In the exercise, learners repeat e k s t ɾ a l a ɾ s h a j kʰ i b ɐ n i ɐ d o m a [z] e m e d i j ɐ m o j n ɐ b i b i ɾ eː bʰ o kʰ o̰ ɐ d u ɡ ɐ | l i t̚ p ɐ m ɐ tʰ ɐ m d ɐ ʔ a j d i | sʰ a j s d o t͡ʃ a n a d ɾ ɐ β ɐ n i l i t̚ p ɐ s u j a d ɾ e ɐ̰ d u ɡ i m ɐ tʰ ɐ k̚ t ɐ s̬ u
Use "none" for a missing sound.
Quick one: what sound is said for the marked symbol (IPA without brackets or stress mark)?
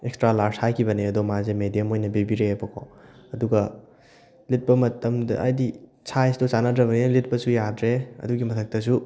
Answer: z